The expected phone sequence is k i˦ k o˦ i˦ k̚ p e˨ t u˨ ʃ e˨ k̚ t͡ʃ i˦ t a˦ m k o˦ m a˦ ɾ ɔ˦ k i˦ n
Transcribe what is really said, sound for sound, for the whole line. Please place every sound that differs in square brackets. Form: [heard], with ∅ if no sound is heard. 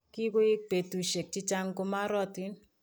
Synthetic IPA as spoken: k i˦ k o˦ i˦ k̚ p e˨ t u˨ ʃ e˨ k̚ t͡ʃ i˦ [t͡ʃ] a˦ [ŋ] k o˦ m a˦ ɾ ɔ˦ [t] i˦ n